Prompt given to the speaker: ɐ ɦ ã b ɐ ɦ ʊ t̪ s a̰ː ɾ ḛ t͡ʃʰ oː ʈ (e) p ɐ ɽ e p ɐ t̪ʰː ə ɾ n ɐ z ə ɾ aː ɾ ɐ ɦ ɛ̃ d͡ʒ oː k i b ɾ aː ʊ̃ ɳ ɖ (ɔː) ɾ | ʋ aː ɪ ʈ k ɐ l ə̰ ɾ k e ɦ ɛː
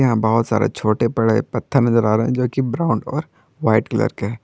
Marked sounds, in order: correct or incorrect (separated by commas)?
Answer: correct, correct